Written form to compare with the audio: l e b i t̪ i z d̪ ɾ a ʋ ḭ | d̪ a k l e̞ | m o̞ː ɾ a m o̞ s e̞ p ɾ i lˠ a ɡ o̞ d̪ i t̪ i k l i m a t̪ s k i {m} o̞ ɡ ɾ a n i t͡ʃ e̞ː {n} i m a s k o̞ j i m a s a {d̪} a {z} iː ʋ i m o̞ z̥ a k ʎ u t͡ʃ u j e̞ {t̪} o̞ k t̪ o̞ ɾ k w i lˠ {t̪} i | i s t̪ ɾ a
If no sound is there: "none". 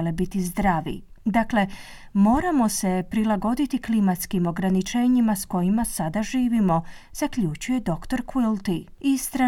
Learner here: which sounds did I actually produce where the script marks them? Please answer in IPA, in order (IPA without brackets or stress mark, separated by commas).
m, ɲ, d̪, ʒ, d̪, t̪